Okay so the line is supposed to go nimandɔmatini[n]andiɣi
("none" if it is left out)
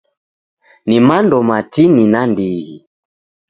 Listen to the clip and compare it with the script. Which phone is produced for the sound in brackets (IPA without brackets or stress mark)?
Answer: n